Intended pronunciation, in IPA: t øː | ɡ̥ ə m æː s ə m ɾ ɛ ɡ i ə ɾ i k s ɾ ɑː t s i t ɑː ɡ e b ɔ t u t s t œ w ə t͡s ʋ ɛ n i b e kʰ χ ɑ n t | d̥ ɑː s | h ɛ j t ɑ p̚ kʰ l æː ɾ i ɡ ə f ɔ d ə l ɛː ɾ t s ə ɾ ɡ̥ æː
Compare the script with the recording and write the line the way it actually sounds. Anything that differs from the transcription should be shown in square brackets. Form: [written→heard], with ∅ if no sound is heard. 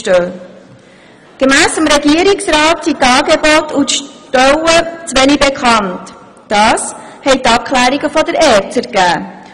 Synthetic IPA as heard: t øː | ɡ̥ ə m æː s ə m ɾ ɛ ɡ i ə ɾ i k s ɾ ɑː t s i t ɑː ɡ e b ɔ t u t [s→ʃ] t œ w ə t͡s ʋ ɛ n i b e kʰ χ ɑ n t | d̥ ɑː s | h ɛ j t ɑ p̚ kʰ l æː ɾ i ɡ ə f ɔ d ə [l→ɾ] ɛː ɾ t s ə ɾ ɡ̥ æː